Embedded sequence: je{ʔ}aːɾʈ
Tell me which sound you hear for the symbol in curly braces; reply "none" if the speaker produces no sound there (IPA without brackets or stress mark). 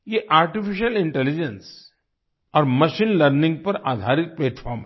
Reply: ʔ